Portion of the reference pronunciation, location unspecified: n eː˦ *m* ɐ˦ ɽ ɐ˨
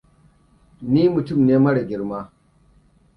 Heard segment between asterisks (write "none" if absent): m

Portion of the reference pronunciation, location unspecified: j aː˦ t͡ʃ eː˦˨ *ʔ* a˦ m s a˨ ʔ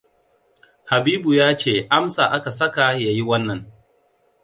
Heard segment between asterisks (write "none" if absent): ʔ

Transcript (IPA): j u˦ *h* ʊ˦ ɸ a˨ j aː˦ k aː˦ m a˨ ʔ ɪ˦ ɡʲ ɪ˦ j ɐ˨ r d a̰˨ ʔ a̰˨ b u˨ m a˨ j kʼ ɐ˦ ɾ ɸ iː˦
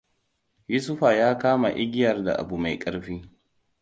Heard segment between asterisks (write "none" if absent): s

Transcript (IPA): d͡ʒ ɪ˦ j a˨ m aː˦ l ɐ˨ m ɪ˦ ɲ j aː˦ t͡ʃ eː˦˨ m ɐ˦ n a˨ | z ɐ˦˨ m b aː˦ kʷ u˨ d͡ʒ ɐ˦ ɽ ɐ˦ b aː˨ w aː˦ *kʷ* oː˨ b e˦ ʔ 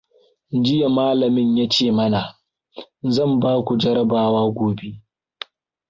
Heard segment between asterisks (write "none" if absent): ɡʷ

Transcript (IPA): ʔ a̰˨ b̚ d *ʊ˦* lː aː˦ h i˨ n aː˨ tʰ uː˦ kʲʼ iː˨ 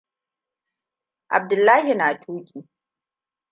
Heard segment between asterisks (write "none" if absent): ʊ˨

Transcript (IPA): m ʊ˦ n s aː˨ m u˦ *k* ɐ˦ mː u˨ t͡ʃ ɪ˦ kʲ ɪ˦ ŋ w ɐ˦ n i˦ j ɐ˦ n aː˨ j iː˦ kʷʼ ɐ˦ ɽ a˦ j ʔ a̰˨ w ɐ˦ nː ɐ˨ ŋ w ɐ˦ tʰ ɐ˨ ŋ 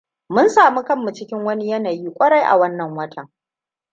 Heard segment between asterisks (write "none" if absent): k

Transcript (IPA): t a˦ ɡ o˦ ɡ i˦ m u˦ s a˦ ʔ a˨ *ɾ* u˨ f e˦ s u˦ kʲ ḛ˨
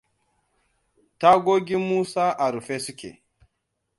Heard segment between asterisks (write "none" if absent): ɾ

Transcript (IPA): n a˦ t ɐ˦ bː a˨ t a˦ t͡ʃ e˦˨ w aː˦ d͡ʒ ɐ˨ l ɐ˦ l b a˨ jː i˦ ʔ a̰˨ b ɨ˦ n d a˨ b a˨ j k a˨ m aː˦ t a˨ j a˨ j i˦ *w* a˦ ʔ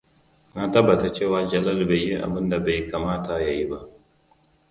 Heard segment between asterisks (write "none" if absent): b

